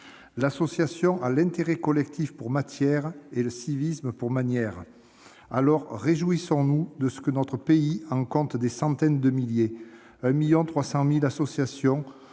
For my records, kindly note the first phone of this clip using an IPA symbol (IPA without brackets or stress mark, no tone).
l